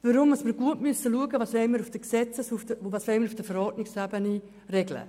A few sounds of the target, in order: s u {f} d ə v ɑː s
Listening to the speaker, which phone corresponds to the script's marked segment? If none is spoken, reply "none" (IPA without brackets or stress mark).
f